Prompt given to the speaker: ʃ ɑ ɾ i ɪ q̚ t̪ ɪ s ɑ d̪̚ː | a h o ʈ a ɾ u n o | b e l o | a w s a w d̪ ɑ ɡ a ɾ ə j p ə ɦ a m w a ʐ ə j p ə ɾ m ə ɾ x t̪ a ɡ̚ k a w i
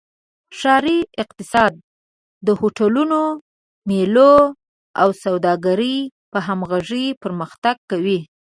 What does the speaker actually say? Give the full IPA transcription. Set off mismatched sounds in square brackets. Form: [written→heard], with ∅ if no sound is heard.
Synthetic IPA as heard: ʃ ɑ ɾ i ɪ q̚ t̪ ɪ s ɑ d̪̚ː | [a→ə] h o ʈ a [ɾ→l] u n o | [b→m] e l o | a w s a w d̪ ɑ ɡ a ɾ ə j p ə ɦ a m [w→ɣ] a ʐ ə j p ə ɾ m ə [ɾ→∅] x t̪ a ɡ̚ k a w i